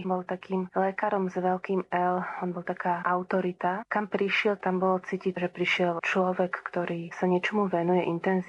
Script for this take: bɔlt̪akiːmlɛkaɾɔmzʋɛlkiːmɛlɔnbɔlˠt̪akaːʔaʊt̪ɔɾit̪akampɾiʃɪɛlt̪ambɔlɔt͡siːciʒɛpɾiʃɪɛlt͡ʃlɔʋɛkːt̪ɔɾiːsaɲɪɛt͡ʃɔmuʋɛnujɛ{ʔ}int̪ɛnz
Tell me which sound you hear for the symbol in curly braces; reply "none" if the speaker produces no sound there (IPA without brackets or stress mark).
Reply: ʔ